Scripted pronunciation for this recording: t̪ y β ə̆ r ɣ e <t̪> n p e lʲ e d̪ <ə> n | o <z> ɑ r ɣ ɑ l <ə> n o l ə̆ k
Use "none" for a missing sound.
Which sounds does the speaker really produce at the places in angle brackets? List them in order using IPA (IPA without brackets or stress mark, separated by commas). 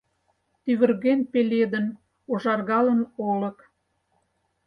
none, ə, ʒ, ə